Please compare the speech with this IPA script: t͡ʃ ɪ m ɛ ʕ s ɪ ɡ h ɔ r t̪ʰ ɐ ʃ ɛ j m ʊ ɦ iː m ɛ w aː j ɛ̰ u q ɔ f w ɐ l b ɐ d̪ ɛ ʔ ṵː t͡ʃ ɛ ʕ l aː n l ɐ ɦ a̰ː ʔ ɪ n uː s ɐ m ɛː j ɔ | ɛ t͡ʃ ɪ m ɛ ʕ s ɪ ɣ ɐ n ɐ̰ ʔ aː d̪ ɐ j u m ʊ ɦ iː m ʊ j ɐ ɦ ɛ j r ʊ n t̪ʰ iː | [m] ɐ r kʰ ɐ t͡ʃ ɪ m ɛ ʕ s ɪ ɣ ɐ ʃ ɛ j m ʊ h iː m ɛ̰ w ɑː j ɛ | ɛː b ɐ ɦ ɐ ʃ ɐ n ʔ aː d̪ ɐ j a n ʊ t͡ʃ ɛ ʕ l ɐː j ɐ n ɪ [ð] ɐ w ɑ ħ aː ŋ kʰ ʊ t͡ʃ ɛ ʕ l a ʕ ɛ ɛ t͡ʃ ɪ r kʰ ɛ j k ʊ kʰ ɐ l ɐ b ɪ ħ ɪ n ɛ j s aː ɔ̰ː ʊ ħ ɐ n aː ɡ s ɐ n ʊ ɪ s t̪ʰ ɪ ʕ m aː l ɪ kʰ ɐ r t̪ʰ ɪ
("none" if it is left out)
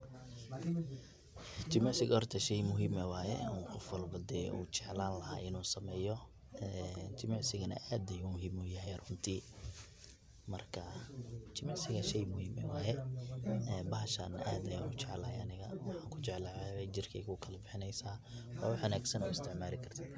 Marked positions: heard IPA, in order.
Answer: m, ɣ

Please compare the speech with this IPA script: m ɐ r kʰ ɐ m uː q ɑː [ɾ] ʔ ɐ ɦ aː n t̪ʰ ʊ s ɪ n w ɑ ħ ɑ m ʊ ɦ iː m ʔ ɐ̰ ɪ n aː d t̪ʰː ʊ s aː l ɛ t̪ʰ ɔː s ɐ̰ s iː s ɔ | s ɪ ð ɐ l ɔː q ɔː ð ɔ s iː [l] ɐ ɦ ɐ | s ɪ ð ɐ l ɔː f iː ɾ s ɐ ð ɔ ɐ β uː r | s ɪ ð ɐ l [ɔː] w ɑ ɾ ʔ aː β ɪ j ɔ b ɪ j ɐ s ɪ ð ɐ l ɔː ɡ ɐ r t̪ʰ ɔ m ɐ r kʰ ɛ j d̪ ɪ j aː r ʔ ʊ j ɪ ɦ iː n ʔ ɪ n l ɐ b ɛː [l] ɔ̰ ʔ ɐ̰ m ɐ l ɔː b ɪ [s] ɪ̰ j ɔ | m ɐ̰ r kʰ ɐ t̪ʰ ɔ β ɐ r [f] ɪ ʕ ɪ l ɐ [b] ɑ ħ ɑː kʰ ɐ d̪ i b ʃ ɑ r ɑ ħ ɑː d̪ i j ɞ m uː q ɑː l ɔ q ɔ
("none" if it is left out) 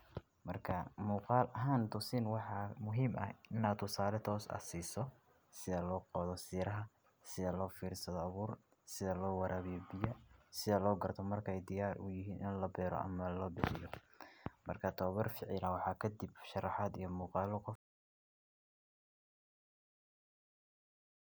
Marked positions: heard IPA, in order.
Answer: l, ɾ, ɔː, ɾ, ħ, f, w

